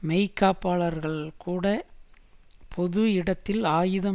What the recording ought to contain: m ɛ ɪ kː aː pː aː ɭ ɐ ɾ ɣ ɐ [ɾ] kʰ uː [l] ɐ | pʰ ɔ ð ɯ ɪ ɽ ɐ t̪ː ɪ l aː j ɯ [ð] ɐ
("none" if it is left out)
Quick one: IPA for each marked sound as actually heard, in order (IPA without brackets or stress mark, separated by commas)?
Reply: ɭ, ɽ, ð